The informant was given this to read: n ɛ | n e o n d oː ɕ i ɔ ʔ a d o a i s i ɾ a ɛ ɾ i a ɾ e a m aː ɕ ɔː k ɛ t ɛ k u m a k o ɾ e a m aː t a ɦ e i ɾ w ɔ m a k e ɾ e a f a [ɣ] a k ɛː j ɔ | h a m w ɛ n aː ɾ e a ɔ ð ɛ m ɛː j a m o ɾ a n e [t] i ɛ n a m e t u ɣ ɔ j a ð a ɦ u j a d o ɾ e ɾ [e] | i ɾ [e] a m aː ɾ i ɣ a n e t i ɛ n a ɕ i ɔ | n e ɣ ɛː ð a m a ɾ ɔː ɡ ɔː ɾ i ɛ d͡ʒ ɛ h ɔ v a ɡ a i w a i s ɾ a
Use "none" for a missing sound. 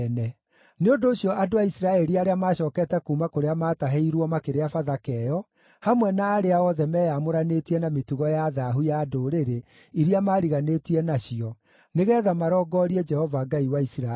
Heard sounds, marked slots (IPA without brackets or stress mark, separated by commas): ð, t, e, i